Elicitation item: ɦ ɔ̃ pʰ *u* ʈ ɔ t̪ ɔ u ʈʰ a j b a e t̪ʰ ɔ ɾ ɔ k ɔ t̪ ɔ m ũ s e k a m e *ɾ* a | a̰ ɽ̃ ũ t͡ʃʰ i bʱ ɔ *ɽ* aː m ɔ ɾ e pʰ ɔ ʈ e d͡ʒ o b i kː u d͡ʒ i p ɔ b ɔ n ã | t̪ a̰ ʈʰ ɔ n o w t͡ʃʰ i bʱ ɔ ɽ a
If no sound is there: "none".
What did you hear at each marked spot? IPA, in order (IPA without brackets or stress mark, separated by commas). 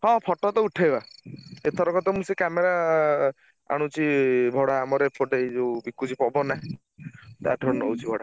ɔ, ɾ, ɽ